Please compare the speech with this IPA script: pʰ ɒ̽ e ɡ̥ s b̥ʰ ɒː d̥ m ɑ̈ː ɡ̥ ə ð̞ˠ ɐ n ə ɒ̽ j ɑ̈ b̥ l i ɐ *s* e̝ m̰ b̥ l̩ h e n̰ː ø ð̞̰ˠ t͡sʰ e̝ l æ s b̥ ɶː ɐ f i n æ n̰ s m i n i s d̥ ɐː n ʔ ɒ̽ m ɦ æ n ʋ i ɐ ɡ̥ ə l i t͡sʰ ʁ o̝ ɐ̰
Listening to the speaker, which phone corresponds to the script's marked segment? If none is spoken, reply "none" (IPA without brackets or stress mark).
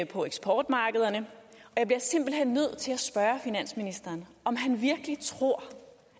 s